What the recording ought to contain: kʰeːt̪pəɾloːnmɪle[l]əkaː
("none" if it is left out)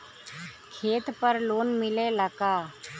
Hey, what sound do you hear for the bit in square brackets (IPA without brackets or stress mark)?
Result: l